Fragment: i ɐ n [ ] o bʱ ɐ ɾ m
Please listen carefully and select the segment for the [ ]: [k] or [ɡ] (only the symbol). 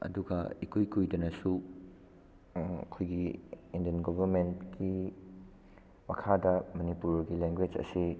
ɡ